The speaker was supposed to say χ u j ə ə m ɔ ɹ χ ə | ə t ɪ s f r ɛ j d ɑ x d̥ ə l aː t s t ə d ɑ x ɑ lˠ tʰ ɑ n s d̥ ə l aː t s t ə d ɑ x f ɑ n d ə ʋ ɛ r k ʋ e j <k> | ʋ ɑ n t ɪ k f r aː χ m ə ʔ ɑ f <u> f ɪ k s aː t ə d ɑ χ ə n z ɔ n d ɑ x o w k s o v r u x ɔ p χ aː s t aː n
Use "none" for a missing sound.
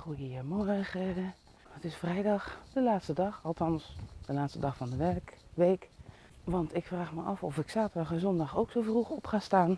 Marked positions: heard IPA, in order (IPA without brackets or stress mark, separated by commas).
k, ɔ